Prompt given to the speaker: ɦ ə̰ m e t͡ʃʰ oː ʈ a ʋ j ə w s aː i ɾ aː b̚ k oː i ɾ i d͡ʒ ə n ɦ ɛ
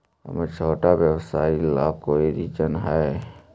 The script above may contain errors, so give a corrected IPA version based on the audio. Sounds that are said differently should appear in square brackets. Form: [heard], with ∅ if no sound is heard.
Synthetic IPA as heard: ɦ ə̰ m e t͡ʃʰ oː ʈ a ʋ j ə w s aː i [l] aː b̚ k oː i ɾ i d͡ʒ ə n ɦ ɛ